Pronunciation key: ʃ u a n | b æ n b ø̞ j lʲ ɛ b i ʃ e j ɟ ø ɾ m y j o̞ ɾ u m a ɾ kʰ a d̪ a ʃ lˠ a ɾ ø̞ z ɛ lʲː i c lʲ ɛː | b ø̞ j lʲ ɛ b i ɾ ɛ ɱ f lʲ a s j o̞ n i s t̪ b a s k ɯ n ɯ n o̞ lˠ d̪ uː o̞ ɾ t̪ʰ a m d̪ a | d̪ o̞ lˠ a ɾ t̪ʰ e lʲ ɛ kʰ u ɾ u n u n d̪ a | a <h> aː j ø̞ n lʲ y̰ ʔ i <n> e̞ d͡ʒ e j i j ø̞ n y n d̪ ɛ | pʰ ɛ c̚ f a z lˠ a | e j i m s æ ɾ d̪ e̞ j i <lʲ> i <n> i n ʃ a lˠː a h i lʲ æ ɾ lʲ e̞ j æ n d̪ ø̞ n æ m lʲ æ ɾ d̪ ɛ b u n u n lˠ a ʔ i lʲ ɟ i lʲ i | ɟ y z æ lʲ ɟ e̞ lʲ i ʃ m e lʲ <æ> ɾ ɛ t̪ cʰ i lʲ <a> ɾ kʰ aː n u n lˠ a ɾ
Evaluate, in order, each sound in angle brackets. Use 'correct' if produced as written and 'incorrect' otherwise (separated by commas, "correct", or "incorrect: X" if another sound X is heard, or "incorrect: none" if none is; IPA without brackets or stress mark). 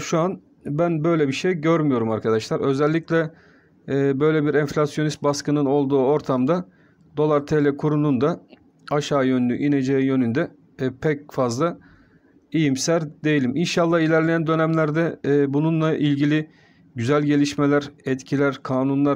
incorrect: ʃ, correct, correct, incorrect: m, correct, incorrect: æ